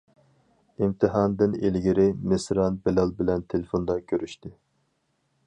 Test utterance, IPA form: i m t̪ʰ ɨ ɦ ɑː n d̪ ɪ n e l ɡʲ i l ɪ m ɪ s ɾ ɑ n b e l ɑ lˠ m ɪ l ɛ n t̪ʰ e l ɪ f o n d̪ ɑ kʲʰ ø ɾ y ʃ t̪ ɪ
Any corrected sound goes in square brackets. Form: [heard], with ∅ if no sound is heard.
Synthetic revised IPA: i m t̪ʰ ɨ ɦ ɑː n d̪ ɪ n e l ɡʲ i [ɾ] ɪ m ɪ s ɾ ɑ n b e l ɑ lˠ [b] ɪ l ɛ n t̪ʰ e l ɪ f o n d̪ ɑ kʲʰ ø ɾ y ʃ t̪ ɪ